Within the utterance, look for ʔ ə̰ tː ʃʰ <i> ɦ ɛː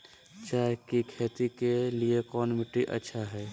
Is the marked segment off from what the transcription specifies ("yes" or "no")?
yes